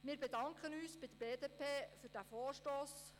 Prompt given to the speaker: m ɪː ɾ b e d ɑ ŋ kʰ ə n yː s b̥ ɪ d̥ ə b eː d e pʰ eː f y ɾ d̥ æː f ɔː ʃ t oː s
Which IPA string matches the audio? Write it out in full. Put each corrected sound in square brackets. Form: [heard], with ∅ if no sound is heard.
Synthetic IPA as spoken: m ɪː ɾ b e d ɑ ŋ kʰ ə n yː s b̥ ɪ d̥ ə b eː d e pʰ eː f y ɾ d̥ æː f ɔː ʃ t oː s